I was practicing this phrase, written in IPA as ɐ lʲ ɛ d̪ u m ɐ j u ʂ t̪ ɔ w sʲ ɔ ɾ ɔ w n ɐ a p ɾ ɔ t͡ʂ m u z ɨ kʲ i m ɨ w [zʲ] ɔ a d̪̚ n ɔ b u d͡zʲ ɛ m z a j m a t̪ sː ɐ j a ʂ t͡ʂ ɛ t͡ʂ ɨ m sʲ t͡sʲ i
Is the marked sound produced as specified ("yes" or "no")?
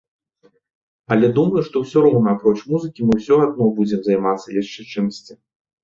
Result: no